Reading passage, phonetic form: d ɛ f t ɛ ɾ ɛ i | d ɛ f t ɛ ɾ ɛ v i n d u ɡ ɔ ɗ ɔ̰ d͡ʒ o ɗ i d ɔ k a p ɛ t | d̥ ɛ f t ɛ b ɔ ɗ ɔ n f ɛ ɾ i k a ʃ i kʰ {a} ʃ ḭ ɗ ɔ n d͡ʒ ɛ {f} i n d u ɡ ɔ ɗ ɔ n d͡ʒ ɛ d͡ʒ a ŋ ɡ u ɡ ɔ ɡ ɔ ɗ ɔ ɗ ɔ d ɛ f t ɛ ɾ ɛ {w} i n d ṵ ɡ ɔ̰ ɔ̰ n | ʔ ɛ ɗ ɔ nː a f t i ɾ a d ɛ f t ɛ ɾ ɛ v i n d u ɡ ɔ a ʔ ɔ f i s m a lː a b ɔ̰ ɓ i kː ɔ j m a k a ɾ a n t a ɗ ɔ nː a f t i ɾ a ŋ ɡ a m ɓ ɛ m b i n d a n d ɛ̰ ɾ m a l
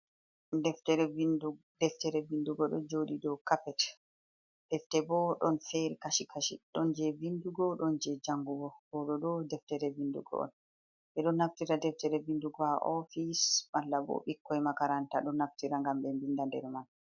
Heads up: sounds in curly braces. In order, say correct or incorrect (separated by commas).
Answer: correct, incorrect, incorrect